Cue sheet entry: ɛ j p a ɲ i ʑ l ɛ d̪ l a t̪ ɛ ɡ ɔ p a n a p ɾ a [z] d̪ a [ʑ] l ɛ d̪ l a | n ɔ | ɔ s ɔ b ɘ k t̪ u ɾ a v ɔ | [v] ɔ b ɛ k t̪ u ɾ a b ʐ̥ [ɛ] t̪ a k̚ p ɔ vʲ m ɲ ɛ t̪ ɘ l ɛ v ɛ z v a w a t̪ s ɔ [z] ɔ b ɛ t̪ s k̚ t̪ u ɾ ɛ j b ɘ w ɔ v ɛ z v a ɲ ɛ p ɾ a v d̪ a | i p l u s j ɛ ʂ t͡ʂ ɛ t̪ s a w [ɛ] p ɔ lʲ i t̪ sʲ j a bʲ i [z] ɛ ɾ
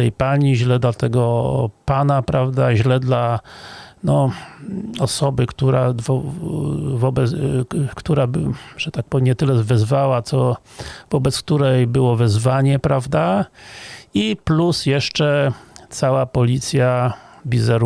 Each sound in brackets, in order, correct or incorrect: incorrect: v, correct, correct, correct, incorrect: v, incorrect: a, correct

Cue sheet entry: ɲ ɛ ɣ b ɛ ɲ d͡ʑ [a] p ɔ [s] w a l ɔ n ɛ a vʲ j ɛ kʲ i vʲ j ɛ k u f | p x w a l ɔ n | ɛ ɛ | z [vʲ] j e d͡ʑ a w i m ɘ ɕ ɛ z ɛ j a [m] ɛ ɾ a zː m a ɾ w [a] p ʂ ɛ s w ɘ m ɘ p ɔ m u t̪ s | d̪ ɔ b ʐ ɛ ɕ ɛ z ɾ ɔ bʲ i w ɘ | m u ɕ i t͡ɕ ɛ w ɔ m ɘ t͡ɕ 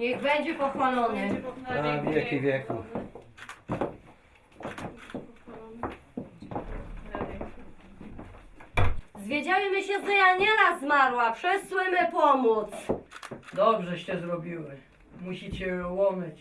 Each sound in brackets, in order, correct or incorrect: incorrect: ɛ, incorrect: x, correct, incorrect: ɲ, correct

